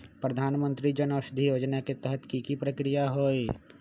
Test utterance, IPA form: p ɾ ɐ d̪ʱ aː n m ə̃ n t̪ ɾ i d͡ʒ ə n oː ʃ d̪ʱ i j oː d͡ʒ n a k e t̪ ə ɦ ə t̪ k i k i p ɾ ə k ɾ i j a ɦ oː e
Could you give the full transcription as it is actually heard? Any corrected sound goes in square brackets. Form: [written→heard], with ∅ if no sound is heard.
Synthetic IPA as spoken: p ɾ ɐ d̪ʱ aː n m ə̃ n t̪ ɾ i d͡ʒ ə n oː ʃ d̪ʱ i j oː d͡ʒ n a k e t̪ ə ɦ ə t̪ k i k i p ɾ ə k ɾ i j a ɦ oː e